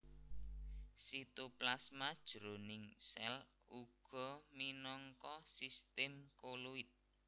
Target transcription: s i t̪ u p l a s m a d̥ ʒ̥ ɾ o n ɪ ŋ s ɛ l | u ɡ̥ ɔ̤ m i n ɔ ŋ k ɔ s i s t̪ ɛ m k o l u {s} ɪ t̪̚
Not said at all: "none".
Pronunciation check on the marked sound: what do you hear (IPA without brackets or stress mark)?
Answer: none